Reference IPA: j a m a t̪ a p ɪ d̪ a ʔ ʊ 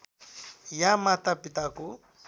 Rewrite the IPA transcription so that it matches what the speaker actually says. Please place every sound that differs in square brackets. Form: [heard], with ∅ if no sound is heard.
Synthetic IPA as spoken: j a m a t̪ a p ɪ [t̪] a [k] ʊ